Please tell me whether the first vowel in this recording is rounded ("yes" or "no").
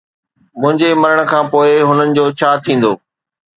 yes